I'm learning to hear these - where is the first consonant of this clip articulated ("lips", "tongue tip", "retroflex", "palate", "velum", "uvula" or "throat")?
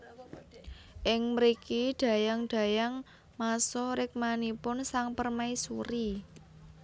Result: throat